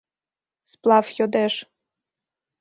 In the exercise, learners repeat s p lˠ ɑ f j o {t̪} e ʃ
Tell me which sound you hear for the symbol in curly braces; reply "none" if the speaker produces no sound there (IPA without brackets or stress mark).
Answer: d̪